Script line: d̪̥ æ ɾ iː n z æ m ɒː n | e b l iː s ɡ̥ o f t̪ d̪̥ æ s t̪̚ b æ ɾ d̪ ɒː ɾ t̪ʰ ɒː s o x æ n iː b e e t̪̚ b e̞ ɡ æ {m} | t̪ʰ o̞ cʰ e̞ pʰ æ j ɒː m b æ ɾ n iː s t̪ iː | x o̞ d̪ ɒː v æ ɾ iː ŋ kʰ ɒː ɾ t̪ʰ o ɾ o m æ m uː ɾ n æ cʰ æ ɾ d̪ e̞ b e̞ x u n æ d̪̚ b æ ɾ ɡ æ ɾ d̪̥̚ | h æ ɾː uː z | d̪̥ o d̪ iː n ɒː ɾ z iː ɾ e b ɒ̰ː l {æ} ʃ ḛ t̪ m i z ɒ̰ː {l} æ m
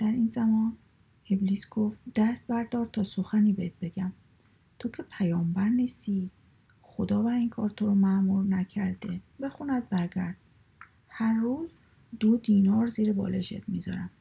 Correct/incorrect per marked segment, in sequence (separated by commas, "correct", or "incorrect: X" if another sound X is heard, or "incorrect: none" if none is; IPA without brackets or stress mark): correct, incorrect: e, incorrect: ɾ